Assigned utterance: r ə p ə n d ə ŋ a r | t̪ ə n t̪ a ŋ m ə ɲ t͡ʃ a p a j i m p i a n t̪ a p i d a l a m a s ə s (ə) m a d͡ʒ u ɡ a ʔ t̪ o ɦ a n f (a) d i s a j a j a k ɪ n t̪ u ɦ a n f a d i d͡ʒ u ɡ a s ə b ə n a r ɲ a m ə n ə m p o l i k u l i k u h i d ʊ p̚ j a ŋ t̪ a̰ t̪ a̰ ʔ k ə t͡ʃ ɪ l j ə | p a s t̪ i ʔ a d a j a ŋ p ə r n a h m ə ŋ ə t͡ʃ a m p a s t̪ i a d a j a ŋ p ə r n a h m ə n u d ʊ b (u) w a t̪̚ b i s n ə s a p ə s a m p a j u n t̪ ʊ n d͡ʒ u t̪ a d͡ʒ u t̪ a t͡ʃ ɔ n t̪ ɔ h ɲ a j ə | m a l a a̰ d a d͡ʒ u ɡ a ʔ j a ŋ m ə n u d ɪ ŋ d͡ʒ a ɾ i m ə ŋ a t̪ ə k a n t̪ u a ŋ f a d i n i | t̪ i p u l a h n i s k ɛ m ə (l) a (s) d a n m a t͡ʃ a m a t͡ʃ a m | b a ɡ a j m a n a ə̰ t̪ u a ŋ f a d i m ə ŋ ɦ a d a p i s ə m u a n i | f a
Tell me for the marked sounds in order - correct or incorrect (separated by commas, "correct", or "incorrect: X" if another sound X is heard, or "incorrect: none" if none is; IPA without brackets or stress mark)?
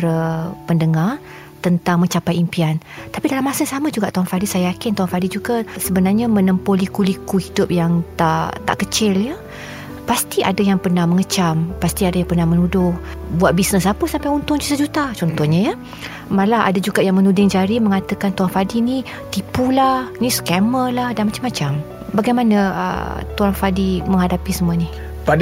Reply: incorrect: a, correct, correct, correct, incorrect: h